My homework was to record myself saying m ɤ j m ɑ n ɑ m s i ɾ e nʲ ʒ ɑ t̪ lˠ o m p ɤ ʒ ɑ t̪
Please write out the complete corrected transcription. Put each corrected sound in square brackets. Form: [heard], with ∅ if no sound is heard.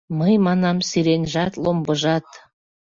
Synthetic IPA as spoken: m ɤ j m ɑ n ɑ m s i ɾ e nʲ ʒ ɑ t̪ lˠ o m [b] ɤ ʒ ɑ t̪